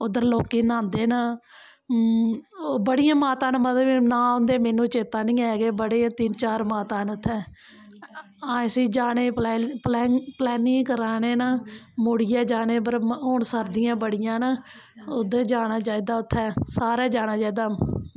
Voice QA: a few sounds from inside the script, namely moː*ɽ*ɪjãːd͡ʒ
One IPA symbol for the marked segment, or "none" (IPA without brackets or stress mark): ɽ